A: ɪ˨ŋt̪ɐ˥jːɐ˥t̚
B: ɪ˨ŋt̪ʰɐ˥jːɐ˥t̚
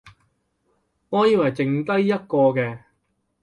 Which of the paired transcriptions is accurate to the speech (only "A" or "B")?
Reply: A